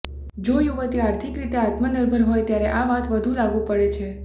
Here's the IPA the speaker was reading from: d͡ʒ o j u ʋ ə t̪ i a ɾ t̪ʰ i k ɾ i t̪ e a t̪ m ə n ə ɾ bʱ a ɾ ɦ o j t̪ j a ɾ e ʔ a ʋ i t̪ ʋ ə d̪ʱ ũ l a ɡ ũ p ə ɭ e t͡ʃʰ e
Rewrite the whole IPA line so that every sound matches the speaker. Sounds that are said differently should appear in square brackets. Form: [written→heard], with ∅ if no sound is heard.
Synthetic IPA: d͡ʒ o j u ʋ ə t̪ i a ɾ t̪ʰ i k ɾ i t̪ e a t̪ m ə n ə ɾ bʱ [a→ə] ɾ ɦ o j t̪ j a ɾ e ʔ a ʋ [i→a] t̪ ʋ ə d̪ʱ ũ l a ɡ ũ p ə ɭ e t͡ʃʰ e